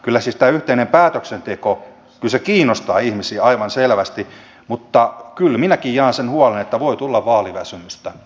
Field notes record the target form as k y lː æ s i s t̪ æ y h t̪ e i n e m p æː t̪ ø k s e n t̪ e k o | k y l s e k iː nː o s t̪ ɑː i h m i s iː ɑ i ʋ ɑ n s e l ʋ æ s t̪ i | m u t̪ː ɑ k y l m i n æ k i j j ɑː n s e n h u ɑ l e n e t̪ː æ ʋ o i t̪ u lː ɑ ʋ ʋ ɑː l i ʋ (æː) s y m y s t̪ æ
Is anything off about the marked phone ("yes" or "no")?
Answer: yes